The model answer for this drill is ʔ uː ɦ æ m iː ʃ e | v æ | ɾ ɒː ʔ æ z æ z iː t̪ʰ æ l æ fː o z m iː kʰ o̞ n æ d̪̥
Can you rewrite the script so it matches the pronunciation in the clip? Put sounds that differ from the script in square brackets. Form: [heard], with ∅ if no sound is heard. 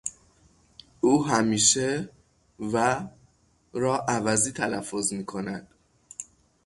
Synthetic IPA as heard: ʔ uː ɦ æ m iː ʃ e | v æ | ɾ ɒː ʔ æ [v] æ z iː t̪ʰ æ l æ fː o z m iː kʰ o̞ n æ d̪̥